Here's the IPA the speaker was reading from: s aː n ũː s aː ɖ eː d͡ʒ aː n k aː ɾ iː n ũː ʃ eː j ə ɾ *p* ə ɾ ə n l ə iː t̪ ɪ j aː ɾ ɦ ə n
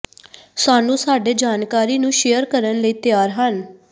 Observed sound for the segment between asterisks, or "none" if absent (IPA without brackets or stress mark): k